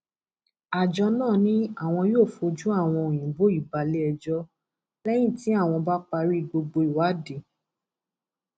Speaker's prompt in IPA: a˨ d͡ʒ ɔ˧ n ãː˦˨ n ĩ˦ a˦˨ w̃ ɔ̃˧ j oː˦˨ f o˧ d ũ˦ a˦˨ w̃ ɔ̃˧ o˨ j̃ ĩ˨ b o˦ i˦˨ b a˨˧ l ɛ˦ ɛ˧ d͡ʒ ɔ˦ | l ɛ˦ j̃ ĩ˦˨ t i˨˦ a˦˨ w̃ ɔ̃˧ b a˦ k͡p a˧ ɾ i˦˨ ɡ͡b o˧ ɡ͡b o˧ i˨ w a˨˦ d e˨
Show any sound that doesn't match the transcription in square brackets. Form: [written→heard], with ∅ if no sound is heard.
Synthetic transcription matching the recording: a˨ d͡ʒ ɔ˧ n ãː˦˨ n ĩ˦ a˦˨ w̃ ɔ̃˧ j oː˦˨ f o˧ [d→d͡ʒ] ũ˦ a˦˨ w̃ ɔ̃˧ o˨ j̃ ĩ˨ b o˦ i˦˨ b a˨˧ l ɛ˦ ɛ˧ d͡ʒ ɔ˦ | l ɛ˦ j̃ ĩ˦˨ t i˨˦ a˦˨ w̃ ɔ̃˧ b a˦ k͡p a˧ ɾ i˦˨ ɡ͡b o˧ ɡ͡b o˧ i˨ w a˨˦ d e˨